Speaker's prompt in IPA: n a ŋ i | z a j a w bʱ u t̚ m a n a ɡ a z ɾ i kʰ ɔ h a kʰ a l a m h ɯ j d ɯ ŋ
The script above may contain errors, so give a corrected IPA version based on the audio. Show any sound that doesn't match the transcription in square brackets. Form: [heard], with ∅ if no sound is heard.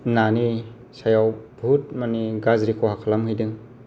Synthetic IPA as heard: n a [n] i | [s] a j a w bʱ u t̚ m a n [i] ɡ a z ɾ i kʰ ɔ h a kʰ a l a m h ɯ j d ɯ ŋ